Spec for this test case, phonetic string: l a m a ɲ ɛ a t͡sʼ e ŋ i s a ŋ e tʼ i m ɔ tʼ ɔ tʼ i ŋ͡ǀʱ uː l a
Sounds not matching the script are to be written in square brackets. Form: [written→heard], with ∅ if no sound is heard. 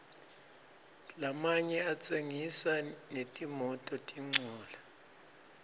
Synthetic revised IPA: l a m a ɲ ɛ a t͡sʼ e ŋ i s a [ŋ→n] e tʼ i m ɔ tʼ ɔ tʼ i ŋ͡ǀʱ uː l a